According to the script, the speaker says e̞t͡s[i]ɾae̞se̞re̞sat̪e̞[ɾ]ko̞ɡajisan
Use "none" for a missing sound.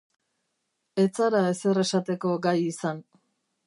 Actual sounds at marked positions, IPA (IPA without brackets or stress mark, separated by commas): a, none